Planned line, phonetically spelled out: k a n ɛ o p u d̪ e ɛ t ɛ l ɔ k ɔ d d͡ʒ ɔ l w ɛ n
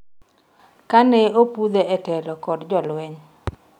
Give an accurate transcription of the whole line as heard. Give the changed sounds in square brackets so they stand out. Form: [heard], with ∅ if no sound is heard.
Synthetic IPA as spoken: k a n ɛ o p u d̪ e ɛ t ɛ l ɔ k ɔ d d͡ʒ ɔ l w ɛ [ɲ]

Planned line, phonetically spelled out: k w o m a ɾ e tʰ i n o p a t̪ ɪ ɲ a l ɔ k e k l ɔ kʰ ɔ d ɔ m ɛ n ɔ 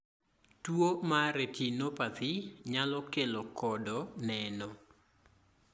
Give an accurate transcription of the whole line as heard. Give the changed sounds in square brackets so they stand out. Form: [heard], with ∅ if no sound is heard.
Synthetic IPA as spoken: [t] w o m a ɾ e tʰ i n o p a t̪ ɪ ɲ a l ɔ k e [∅] l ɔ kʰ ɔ d ɔ [n] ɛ n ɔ

